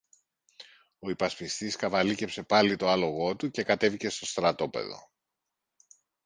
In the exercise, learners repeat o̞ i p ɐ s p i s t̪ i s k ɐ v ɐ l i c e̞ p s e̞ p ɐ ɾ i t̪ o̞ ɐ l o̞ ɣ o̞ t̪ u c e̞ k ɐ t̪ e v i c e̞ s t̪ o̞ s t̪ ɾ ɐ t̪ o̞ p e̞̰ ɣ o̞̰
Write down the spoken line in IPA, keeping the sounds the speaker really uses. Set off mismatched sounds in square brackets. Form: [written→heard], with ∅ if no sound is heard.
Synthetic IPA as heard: o̞ i p ɐ s p i s t̪ i s k ɐ v ɐ l i c e̞ p s e̞ p ɐ [ɾ→l] i t̪ o̞ ɐ l o̞ ɣ o̞ t̪ u c e̞ k ɐ t̪ e v i c e̞ s t̪ o̞ s t̪ ɾ ɐ t̪ o̞ p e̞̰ [ɣ→ð] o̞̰